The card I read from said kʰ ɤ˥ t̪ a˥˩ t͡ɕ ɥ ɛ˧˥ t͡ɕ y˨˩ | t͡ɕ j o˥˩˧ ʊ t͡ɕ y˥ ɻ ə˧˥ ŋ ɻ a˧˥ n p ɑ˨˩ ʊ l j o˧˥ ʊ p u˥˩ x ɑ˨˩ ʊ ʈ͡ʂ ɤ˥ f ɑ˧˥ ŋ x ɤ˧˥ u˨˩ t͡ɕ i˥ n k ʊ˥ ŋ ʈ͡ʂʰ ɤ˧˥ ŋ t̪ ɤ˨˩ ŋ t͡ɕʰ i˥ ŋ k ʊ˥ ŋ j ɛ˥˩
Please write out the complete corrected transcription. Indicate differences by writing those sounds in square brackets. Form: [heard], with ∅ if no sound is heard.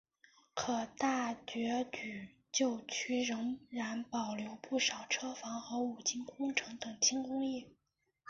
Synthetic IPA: kʰ [ɤ˨˩] t̪ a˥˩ t͡ɕ ɥ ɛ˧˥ t͡ɕ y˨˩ | t͡ɕ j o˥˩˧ ʊ [t͡ɕʰ] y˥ ɻ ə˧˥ ŋ ɻ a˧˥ n p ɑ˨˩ ʊ l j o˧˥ ʊ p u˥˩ [ʂ] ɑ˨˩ ʊ [ʈ͡ʂʰ] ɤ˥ f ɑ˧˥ ŋ x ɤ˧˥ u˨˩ t͡ɕ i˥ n k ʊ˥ ŋ ʈ͡ʂʰ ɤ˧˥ ŋ t̪ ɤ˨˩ ŋ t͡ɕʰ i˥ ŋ k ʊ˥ ŋ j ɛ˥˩